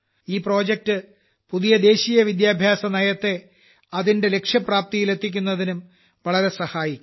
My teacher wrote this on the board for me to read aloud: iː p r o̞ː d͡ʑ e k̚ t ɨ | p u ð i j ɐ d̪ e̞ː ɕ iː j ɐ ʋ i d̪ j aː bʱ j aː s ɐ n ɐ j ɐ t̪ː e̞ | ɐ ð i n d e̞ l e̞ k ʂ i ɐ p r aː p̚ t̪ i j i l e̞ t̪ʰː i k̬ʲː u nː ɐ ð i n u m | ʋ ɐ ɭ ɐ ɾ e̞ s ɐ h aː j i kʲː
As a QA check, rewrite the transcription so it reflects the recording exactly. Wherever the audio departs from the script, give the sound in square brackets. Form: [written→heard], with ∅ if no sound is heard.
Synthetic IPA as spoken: iː p r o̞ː d͡ʑ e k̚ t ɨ | p u ð i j ɐ d̪ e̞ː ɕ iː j ɐ ʋ i d̪ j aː bʱ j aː s ɐ n ɐ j ɐ t̪ː e̞ | ɐ ð i n d e̞ l e̞ k ʂ [i→j] ɐ p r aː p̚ t̪ i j i l e̞ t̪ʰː i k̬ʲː u nː ɐ ð i n u m | ʋ ɐ ɭ ɐ ɾ e̞ s ɐ h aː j i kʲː

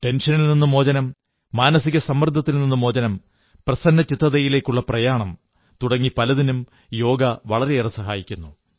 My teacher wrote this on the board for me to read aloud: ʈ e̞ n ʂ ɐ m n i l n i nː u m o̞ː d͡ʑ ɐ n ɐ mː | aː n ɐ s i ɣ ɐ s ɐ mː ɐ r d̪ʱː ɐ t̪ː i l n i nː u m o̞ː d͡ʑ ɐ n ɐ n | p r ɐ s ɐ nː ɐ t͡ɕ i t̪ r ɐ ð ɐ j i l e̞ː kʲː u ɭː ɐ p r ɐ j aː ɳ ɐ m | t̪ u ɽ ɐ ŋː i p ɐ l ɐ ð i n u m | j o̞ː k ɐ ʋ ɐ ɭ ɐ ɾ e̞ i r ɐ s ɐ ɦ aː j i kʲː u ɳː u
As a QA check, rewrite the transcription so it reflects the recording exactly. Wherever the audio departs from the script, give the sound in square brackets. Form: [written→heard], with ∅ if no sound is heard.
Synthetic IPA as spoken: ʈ e̞ n ʂ ɐ [m→∅] n i l n i nː u m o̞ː d͡ʑ ɐ n ɐ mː | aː n ɐ s i ɣ ɐ s ɐ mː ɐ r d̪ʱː ɐ t̪ː i l n i nː u m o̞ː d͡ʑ ɐ n ɐ [n→m] | p r ɐ s ɐ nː ɐ t͡ɕ i t̪ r ɐ ð ɐ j i l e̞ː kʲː u ɭː ɐ p r ɐ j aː ɳ ɐ m | t̪ u ɽ ɐ ŋː i p ɐ l ɐ ð i n u m | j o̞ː [k→ɡ] ɐ ʋ ɐ ɭ ɐ ɾ e̞ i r ɐ s ɐ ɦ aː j i kʲː u [ɳː→nː] u

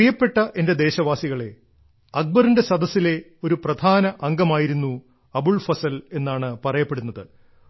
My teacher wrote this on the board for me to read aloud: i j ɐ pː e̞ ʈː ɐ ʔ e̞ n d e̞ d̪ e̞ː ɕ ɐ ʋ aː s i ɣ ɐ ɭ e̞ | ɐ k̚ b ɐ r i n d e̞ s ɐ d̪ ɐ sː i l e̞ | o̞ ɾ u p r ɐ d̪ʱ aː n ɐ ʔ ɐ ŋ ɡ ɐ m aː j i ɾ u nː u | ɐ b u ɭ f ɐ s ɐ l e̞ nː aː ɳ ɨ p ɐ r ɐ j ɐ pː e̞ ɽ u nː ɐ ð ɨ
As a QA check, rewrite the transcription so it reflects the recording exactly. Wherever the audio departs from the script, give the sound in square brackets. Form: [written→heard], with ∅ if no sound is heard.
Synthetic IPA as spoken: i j ɐ pː e̞ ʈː ɐ ʔ e̞ n d e̞ d̪ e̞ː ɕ ɐ ʋ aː s i ɣ ɐ ɭ e̞ | ɐ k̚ b ɐ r i n d e̞ s ɐ d̪ ɐ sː i l e̞ | o̞ ɾ u p r ɐ d̪ʱ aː n ɐ ʔ ɐ ŋ ɡ ɐ m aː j i ɾ u nː u | ɐ b u ɭ f ɐ s ɐ l e̞ nː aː ɳ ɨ p ɐ r ɐ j ɐ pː e̞ ɽ u nː ɐ ð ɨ

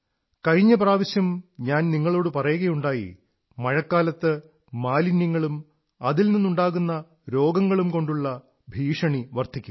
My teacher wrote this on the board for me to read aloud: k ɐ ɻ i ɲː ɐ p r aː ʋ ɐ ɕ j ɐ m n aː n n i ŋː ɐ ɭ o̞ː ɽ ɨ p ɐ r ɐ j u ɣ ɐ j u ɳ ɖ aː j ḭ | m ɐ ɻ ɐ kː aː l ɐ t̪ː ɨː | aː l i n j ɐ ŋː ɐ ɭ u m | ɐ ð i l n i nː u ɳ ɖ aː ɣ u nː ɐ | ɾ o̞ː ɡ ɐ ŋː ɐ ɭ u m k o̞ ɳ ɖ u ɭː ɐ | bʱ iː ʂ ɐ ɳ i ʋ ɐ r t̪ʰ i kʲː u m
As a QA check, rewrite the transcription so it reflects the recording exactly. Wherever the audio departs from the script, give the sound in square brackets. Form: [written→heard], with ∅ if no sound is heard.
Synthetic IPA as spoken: k ɐ ɻ i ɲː ɐ p r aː ʋ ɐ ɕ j ɐ m [n→ɲ] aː n n i ŋː ɐ ɭ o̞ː ɽ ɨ p ɐ r ɐ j u ɣ ɐ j u ɳ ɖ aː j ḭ | m ɐ ɻ ɐ kː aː l ɐ t̪ː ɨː | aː l i n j ɐ ŋː ɐ ɭ u m | ɐ ð i l n i nː u ɳ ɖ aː ɣ u nː ɐ | ɾ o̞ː ɡ ɐ ŋː ɐ ɭ u m k o̞ ɳ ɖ u ɭː ɐ | bʱ iː ʂ ɐ ɳ i ʋ ɐ r t̪ʰ i kʲː u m

